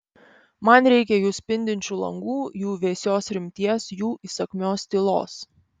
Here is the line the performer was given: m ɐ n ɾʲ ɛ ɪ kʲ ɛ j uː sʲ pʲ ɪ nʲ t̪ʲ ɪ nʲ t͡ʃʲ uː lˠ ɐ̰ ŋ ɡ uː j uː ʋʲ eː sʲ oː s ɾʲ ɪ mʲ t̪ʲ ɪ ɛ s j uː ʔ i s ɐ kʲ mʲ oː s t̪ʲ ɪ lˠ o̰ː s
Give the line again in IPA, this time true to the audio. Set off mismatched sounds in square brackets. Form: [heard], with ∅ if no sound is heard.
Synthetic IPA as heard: m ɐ n ɾʲ ɛ ɪ kʲ ɛ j uː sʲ pʲ ɪ nʲ [d̪ʲ] ɪ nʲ t͡ʃʲ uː lˠ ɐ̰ ŋ ɡ uː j uː ʋʲ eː sʲ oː s ɾʲ ɪ mʲ t̪ʲ [i] ɛ s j uː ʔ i s ɐ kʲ mʲ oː s t̪ʲ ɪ lˠ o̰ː s